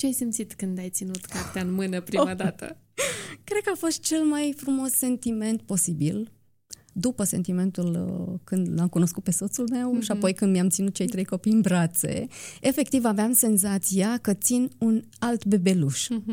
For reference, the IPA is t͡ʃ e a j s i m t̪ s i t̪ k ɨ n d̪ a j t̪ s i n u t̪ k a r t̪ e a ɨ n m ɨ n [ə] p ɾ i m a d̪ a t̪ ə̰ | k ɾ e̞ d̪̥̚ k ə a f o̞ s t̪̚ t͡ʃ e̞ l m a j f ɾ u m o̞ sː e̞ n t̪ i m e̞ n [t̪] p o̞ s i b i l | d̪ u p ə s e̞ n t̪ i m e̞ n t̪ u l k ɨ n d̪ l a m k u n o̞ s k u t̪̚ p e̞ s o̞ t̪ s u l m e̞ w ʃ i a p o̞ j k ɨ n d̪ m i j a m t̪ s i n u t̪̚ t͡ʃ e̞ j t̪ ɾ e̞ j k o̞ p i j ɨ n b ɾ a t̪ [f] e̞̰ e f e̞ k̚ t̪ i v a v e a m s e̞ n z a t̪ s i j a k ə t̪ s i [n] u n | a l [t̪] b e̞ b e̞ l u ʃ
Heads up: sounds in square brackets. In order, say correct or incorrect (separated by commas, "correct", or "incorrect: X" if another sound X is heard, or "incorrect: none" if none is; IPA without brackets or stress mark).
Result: correct, correct, incorrect: s, correct, correct